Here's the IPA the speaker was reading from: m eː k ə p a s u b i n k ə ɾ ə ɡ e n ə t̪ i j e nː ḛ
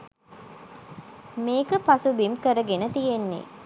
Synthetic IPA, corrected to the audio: m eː k ə p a s u b i m k ə ɾ ə ɡ e n ə t̪ i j e nː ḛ